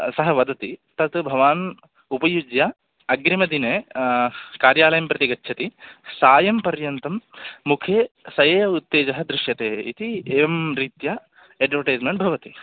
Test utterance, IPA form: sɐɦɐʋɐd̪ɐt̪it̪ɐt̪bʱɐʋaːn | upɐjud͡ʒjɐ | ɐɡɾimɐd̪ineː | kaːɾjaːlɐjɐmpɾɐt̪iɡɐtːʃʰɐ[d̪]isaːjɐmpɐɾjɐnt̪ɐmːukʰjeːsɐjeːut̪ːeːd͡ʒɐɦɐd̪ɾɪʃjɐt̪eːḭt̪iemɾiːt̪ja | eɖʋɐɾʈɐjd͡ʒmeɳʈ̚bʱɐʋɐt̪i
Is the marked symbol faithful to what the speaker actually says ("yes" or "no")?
no